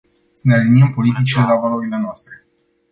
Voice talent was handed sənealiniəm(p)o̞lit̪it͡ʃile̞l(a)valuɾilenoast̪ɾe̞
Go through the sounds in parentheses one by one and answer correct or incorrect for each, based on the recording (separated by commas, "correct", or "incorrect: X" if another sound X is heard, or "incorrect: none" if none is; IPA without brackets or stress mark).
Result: correct, correct